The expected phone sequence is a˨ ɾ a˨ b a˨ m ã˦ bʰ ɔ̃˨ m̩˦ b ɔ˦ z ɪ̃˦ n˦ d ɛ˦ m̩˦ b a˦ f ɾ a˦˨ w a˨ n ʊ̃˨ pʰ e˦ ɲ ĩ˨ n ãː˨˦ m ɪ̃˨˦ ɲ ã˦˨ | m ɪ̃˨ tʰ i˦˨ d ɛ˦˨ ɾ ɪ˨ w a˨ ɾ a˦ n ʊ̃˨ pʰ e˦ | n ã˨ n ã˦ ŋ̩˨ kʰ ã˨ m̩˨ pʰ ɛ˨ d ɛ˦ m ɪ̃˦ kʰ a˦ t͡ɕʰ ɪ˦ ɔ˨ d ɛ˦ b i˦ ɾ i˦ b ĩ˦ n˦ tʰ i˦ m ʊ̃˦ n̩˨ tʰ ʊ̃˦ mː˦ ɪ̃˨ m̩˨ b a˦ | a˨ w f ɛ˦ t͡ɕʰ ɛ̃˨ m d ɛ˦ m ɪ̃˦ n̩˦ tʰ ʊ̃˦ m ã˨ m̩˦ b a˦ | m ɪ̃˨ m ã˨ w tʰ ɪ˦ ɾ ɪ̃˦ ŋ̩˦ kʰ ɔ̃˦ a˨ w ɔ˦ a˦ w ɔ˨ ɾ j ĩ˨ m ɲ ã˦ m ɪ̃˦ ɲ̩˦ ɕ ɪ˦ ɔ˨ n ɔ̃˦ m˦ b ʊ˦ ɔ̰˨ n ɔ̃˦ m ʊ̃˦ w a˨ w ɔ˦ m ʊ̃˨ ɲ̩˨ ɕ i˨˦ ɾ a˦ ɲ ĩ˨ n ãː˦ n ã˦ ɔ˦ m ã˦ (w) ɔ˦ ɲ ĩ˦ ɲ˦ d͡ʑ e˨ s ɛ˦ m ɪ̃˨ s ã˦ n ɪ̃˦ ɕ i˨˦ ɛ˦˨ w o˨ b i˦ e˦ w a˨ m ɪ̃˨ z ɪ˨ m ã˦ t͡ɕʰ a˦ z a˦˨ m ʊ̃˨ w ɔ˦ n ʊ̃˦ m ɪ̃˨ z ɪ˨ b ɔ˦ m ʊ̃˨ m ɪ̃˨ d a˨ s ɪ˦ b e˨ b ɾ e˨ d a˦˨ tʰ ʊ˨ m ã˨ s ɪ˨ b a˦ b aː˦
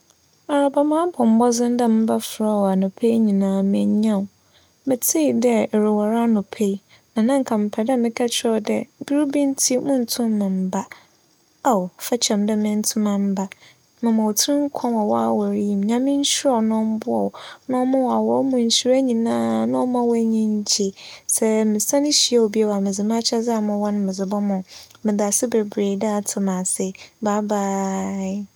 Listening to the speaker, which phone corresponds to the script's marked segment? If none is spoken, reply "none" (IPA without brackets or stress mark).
w